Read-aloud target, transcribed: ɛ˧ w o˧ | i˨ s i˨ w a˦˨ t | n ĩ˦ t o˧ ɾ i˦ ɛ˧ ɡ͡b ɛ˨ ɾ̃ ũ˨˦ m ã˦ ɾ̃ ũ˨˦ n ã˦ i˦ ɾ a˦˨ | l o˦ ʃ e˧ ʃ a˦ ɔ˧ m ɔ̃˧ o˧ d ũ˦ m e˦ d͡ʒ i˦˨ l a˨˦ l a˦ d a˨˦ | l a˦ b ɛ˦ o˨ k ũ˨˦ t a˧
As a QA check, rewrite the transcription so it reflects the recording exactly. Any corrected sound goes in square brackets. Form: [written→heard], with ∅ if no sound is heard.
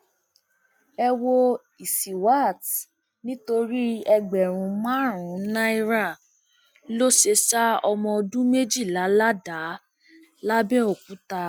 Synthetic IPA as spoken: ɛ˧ w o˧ | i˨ s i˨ w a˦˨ t | n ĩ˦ t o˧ ɾ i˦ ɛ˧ ɡ͡b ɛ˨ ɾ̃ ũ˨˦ m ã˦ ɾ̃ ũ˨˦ n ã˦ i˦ ɾ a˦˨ | l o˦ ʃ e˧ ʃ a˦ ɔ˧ m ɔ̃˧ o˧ d ũ˦ m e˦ d͡ʒ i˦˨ l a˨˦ l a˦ d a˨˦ | l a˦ b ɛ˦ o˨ k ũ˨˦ t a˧